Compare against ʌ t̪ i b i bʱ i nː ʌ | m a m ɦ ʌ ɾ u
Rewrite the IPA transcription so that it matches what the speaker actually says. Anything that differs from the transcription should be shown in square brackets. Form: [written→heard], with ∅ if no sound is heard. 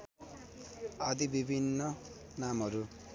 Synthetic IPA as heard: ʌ [t̪→d̪] i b i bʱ i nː ʌ | [m→n] a m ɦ ʌ ɾ u

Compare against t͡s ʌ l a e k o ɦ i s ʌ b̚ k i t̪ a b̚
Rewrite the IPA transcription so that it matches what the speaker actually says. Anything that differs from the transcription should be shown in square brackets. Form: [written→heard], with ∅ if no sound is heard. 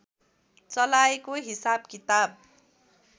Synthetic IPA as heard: t͡s ʌ l a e k o ɦ i s [ʌ→a] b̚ k i t̪ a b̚

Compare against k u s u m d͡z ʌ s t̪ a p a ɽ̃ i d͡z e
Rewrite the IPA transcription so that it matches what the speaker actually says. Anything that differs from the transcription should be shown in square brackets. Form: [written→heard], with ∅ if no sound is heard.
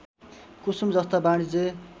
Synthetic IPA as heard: k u s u m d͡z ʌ s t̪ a [p→b] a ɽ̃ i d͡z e

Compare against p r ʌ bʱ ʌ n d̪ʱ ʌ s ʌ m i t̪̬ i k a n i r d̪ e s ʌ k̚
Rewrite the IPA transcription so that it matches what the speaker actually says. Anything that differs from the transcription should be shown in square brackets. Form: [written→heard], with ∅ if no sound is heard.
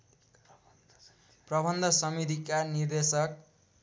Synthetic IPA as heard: p r ʌ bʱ ʌ n d̪ʱ ʌ s ʌ m i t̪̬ i k a n i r d̪ e s ʌ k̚

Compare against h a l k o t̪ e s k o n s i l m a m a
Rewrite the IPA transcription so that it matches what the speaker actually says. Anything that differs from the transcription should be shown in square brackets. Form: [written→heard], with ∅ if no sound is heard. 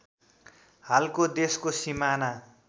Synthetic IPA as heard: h a l k o [t̪→d̪] e s k o [n→∅] s i [l→∅] m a [m→n] a

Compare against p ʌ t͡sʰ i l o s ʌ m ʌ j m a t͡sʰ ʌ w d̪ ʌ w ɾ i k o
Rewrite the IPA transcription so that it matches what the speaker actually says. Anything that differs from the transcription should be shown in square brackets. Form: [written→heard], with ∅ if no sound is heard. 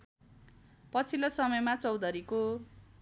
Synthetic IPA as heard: p ʌ t͡sʰ i l o s ʌ m ʌ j m a [t͡sʰ→t͡s] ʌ w d̪ ʌ [w→∅] ɾ i k o

